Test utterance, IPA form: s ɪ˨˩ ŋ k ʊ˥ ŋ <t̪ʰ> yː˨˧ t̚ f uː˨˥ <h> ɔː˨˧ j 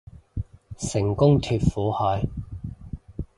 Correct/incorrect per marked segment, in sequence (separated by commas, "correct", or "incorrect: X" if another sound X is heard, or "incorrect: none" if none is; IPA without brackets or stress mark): correct, correct